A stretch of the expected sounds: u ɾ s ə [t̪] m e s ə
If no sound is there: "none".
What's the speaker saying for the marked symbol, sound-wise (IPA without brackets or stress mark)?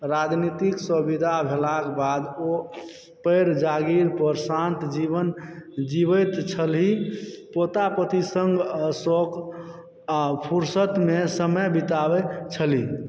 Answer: t̪